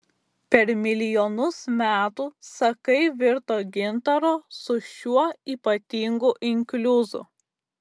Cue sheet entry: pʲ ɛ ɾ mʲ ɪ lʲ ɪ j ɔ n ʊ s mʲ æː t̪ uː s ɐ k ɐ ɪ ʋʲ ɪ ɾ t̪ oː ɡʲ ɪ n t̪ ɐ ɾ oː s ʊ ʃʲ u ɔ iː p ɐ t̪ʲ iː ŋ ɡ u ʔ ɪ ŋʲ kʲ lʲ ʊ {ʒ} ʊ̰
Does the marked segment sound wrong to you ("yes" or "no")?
yes